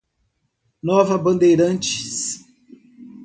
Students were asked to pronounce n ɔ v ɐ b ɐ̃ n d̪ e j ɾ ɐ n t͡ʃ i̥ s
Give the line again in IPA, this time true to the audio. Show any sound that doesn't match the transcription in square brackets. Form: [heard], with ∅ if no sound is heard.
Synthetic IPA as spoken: n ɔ v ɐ b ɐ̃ n d̪ e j ɾ [ɐ̃] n t͡ʃ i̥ s